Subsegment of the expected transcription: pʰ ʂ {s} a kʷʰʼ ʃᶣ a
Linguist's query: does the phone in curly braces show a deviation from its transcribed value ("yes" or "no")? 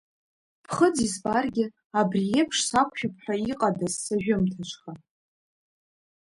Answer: no